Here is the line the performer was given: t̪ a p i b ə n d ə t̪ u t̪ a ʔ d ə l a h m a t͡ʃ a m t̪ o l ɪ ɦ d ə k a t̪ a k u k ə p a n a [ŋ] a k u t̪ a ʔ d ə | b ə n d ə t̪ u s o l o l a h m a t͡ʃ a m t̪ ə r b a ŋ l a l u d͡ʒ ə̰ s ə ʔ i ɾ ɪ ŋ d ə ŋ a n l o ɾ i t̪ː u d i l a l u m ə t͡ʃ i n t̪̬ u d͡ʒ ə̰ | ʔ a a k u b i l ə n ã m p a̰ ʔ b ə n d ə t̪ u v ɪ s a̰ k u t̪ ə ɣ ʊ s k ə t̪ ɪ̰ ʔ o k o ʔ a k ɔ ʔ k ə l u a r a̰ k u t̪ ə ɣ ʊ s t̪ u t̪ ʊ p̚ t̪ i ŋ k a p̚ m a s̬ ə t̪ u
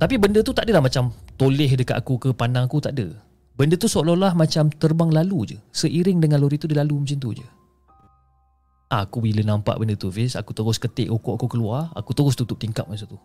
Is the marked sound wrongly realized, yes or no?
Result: no